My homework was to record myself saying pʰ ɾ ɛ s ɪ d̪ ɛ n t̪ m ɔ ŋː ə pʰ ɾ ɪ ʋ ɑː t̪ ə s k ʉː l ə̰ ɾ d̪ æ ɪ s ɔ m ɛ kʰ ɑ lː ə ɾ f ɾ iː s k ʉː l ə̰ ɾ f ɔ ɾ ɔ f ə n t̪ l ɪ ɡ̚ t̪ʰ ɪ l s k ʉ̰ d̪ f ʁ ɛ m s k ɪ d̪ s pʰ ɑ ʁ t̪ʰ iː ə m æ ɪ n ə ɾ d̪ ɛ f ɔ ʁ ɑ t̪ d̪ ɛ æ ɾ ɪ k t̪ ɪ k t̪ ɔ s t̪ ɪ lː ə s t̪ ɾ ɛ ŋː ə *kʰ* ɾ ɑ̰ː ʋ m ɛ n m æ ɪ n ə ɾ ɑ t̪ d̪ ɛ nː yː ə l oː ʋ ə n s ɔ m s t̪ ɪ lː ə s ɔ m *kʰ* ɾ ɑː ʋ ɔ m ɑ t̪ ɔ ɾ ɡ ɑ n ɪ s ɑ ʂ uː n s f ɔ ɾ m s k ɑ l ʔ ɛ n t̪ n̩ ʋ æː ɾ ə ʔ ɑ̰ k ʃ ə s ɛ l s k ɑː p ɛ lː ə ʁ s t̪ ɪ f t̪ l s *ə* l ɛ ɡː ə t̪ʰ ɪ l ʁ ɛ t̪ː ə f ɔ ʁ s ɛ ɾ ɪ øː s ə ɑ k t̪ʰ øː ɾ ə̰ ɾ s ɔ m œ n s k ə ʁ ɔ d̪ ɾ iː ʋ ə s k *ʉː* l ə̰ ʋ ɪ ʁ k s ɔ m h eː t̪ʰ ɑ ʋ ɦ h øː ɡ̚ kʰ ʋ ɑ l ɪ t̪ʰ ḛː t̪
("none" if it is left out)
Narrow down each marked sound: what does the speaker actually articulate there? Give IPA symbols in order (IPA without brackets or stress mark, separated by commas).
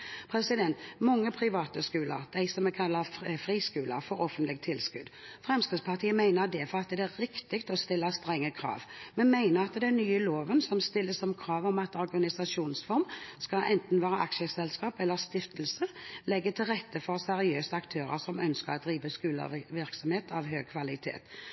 kʰ, kʰ, ə, ʉː